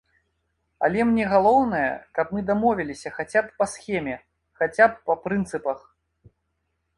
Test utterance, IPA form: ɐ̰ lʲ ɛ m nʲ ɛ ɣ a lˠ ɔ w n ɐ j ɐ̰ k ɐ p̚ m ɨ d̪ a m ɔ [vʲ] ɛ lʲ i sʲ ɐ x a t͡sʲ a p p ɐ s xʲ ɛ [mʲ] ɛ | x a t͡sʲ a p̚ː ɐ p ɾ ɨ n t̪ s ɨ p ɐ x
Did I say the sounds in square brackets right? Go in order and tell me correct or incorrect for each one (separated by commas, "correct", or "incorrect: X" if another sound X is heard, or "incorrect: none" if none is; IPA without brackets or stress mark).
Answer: correct, correct